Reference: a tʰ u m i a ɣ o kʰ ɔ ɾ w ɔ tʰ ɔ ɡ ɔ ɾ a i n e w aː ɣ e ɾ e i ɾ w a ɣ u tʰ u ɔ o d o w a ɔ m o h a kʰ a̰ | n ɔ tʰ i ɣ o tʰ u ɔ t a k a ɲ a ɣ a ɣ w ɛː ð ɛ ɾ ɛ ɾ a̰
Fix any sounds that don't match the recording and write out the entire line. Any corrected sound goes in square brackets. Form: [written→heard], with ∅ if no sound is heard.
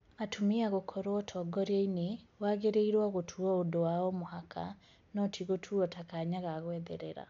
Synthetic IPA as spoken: a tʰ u m i a ɣ o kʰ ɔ ɾ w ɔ tʰ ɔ ɡ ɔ ɾ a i n e w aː ɣ e ɾ e i ɾ w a ɣ [u→o] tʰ u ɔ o d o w a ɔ m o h a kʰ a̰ | n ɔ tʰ i ɣ o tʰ u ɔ t a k a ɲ a ɣ a ɣ w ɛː ð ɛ ɾ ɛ ɾ a̰